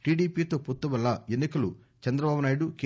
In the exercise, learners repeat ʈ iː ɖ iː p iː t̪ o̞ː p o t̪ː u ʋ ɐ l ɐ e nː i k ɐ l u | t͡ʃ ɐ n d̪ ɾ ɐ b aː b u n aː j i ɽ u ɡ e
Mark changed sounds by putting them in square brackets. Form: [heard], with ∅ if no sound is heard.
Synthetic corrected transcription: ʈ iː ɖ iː p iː t̪ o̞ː p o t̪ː u ʋ ɐ [lː] ɐ e nː i k ɐ l u | t͡ʃ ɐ n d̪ ɾ ɐ b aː b u n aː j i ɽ u [k] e